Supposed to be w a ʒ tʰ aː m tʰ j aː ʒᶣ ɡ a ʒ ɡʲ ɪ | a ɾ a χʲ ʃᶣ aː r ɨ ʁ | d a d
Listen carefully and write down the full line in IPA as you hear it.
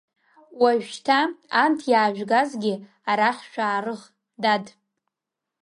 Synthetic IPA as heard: w a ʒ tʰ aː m tʰ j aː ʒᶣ ɡ a z ɡʲ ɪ | a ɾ a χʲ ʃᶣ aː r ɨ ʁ | d a d